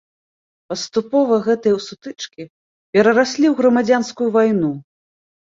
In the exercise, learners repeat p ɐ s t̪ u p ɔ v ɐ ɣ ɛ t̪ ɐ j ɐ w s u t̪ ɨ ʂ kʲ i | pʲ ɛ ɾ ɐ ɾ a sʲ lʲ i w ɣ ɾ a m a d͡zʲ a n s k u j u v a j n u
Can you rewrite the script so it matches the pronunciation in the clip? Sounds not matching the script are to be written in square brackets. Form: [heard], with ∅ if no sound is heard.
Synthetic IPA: p ɐ s t̪ u p ɔ v ɐ ɣ ɛ t̪ ɐ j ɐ w s u t̪ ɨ [t͡ʂ] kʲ i | pʲ ɛ ɾ ɐ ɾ a sʲ lʲ i w ɣ ɾ [ɐ] m a d͡zʲ a n s k u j u v a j n u

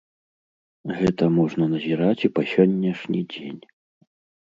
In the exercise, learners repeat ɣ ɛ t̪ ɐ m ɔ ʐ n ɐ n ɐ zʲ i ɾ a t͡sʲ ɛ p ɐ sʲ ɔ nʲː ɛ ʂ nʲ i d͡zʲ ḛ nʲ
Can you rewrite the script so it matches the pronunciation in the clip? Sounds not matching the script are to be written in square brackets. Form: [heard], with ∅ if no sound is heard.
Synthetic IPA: ɣ ɛ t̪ ɐ m ɔ ʐ n ɐ n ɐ zʲ i ɾ a t͡sʲ [i] p ɐ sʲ ɔ nʲː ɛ ʂ nʲ i d͡zʲ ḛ nʲ

